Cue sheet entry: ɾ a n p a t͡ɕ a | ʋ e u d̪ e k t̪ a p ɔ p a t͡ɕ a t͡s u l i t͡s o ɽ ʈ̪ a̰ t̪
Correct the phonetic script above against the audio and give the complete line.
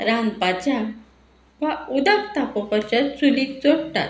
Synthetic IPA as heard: ɾ a n p a t͡ɕ a | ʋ a u d̪ a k t̪ a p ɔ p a t͡ɕ a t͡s u l i t͡s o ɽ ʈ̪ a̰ t̪